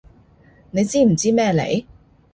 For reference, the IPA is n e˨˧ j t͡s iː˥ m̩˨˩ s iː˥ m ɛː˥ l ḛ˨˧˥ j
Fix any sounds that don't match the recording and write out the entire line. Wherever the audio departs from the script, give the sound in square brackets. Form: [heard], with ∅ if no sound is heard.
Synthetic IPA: n e˨˧ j t͡s iː˥ m̩˨˩ [t͡s] iː˥ m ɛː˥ l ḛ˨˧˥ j